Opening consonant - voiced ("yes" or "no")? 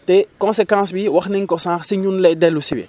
no